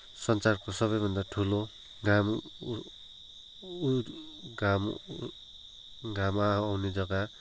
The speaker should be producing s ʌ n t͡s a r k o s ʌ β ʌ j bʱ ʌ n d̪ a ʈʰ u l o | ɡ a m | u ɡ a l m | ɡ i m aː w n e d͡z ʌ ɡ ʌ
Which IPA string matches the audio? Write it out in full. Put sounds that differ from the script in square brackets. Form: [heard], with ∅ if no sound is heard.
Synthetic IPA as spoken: s ʌ n t͡s a r k o s ʌ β ʌ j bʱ ʌ n d̪ a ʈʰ u l o | ɡ a m | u ɡ a [∅] m | ɡ [a] m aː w n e d͡z ʌ ɡ [a]